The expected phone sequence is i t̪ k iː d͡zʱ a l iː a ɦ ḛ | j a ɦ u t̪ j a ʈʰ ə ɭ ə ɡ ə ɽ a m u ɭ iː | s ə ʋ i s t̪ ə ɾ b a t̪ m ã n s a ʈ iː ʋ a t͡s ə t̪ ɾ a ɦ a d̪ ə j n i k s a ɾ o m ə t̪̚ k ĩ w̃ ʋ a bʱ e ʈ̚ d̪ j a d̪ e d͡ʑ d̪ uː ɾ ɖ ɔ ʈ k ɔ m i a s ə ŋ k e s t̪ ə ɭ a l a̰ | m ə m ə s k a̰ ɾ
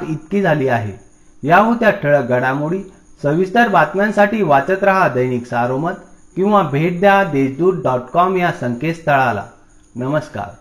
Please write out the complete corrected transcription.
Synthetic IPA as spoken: i t̪ k iː d͡zʱ a l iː a ɦ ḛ | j a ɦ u t̪ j a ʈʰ ə ɭ ə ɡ ə ɽ a m u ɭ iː | s ə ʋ i s t̪ ə ɾ b a t̪ m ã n s a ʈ iː ʋ a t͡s ə t̪ ɾ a ɦ a d̪ ə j n i k s a ɾ o m ə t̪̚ k ĩ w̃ ʋ a bʱ e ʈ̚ d̪ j a d̪ e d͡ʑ d̪ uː ɾ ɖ ɔ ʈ k ɔ m j a s ə ŋ k e s t̪ ə ɭ a l a̰ | n ə m ə s k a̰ ɾ